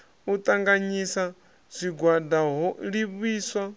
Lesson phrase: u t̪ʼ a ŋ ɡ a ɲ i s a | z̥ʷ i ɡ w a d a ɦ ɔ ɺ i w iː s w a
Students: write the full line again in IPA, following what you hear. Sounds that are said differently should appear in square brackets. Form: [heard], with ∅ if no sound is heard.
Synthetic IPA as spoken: u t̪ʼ a ŋ ɡ a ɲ i s a | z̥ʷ i ɡ w a d a ɦ ɔ ɺ i [β] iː s w a